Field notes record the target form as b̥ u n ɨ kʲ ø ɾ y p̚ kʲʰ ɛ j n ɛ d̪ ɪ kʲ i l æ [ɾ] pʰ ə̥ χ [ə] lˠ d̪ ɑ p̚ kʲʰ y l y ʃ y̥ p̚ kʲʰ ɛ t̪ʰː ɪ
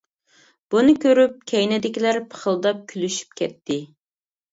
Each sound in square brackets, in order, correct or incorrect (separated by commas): correct, correct